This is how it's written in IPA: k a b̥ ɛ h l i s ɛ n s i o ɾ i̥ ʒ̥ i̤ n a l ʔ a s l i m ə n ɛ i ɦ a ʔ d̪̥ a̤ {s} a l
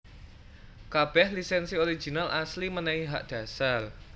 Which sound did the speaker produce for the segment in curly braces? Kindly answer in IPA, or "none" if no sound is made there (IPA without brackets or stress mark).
s